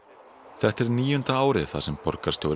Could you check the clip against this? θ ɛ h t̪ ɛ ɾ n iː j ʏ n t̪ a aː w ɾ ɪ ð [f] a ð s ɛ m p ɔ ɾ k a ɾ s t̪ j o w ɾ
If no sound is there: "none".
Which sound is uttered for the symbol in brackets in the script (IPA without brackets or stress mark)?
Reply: θ